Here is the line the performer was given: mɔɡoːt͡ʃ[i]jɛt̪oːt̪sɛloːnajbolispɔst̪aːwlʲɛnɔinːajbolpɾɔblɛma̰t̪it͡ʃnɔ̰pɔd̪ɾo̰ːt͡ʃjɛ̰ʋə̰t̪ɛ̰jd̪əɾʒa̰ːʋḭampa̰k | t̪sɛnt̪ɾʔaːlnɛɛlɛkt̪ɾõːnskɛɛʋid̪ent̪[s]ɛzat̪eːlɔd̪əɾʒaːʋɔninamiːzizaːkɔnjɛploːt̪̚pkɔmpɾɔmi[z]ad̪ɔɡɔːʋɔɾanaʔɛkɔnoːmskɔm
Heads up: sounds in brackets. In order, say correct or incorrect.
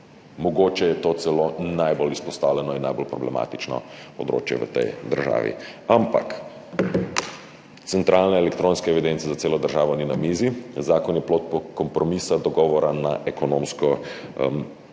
incorrect: ɛ, correct, incorrect: s

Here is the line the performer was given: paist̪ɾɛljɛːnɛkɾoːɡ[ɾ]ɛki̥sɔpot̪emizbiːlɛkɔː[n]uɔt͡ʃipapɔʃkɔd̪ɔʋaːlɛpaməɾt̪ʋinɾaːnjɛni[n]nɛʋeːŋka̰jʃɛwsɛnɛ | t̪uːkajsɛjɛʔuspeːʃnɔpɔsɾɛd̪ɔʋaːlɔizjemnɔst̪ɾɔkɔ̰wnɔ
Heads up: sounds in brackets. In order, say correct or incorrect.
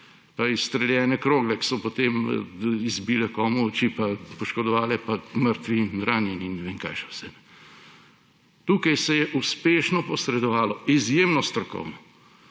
incorrect: l, incorrect: m, correct

